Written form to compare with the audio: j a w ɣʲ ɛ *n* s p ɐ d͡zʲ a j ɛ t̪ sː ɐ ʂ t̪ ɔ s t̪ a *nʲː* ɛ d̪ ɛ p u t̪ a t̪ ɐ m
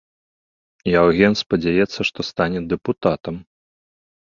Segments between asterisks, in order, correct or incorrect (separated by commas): correct, incorrect